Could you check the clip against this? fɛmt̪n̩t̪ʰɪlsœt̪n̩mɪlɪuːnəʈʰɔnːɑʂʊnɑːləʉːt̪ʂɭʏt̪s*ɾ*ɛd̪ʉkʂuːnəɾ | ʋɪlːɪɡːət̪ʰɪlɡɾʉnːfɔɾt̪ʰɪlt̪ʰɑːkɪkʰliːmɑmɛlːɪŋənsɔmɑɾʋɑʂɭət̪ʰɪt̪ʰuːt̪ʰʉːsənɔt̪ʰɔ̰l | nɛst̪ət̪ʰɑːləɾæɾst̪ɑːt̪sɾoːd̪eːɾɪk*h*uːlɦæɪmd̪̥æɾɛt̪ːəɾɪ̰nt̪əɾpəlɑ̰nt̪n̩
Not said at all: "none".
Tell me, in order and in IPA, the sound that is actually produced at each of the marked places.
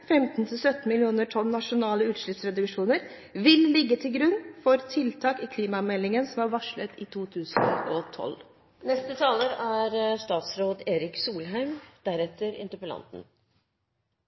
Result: ɾ, s

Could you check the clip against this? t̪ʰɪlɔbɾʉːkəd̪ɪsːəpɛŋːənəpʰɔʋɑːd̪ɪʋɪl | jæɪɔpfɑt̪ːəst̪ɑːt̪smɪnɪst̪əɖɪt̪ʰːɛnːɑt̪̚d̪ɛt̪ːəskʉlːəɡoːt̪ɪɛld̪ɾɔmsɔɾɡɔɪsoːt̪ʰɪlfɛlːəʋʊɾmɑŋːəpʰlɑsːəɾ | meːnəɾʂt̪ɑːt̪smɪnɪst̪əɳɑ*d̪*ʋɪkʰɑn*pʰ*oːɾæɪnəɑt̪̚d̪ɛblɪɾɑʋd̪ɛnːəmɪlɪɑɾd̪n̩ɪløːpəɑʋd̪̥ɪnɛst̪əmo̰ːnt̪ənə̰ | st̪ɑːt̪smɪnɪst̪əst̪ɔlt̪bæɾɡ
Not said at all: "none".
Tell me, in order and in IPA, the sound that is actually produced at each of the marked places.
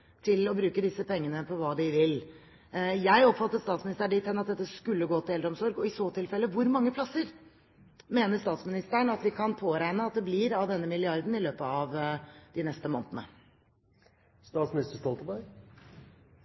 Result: t̪, pʰ

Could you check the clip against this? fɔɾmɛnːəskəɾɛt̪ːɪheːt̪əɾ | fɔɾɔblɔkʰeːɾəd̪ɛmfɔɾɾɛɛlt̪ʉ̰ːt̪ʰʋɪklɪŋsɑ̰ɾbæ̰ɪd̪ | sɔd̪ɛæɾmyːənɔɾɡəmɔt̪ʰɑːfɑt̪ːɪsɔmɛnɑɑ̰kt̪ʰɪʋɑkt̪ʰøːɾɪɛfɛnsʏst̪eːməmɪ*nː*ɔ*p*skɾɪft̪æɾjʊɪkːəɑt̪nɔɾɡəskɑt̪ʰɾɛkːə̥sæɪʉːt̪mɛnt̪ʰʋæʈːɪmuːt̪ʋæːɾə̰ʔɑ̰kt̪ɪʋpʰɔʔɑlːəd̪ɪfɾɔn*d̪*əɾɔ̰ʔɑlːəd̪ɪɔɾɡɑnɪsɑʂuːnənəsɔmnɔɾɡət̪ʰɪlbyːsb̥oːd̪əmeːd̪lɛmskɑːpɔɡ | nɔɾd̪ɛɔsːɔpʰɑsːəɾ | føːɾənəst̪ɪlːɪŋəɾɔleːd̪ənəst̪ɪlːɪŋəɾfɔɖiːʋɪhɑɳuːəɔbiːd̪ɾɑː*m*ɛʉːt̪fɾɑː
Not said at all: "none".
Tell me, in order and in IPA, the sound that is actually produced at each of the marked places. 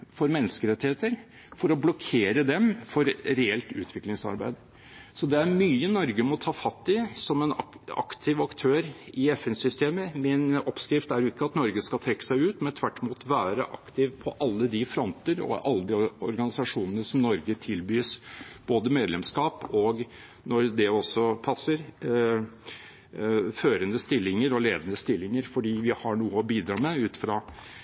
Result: n, p, t̪, m

